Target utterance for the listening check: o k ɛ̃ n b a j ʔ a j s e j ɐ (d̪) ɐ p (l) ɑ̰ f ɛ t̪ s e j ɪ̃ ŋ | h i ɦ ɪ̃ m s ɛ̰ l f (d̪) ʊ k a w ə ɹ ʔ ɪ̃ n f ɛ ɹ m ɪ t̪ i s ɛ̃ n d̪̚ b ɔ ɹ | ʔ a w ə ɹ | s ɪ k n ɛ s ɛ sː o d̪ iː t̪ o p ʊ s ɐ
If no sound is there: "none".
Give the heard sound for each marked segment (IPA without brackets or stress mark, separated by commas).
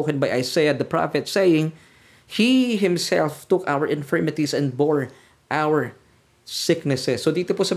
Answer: d̪, ɹ, t̪